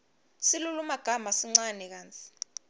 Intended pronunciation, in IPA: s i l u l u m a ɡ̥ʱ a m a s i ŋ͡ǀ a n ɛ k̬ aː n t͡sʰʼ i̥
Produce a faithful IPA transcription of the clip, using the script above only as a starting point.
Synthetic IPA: s i l u l u m a ɡ̥ʱ a m a s i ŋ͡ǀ a n ɛ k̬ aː n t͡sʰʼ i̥

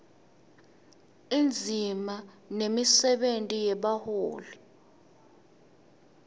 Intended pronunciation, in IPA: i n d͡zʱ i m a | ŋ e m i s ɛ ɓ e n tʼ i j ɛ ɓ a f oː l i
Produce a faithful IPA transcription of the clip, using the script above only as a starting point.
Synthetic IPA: i n d͡zʱ i m a | n e m i s ɛ ɓ e n tʼ i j ɛ ɓ a h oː l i

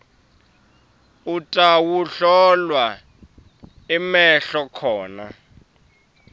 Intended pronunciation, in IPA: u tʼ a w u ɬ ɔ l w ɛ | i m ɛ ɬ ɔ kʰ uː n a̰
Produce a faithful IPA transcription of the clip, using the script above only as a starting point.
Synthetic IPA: u tʼ a w u ɬ ɔ l w a | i m ɛ ɬ ɔ kʰ ɔː n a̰

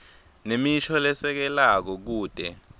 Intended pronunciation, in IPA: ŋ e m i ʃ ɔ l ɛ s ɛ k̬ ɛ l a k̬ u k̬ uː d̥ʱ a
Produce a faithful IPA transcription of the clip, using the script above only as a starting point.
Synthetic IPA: n e m i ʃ ɔ l ɛ s ɛ k̬ ɛ l a k̬ ɔ k̬ uː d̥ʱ ɛ

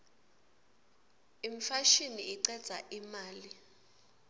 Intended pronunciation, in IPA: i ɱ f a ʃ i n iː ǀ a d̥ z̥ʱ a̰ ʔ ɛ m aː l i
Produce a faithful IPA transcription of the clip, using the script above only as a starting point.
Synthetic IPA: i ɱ f a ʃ i n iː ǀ ɛ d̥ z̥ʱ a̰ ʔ i m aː l i

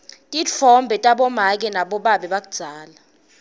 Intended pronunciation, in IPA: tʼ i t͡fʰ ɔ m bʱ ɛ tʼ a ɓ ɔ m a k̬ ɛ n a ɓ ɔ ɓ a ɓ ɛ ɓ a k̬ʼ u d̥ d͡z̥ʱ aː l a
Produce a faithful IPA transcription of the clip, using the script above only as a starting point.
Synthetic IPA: tʼ i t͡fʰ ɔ m bʱ ɛ tʼ a ɓ ɔ m a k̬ ɛ n a ɓ ɔ ɓ a ɓ ɛ ɓ a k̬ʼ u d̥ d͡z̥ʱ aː l a

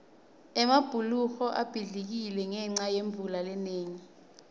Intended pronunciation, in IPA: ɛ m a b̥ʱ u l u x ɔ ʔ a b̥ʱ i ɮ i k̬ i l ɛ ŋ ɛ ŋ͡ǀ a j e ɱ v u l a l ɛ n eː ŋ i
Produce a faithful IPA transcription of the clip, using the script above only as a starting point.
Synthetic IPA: ɛ m a b̥ʱ u l u x ɔ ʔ a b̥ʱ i ɮ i k̬ i l ɛ ŋ ɛ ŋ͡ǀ a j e ɱ v u l a l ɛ n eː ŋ i

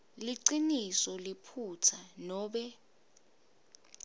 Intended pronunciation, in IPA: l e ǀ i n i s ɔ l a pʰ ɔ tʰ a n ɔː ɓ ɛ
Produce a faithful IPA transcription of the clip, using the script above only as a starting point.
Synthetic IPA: l i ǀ i n i s ɔ l i pʰ u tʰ a n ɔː ɓ ɛ

